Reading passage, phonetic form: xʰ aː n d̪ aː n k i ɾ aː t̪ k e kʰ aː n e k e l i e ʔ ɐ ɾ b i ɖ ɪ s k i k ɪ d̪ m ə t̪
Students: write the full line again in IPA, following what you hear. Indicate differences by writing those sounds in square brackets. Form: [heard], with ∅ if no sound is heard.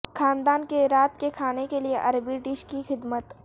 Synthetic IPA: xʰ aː n d̪ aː n k [e] ɾ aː t̪ k e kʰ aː n e k e l i e ʔ ɐ ɾ b i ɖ ɪ [ʃ] k i [x] ɪ d̪ m ə t̪